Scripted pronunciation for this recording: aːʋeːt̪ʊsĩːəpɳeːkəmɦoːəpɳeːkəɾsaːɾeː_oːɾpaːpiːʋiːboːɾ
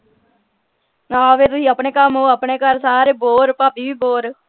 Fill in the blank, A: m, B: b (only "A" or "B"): B